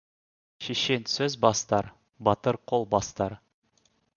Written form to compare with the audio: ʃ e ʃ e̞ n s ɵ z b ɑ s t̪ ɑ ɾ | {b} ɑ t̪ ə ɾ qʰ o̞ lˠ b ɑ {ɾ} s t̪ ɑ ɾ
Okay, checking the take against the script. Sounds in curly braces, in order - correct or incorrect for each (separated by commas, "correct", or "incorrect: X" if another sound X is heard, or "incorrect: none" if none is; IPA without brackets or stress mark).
correct, incorrect: none